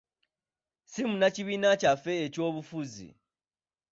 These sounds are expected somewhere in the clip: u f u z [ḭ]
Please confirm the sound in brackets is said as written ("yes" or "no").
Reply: yes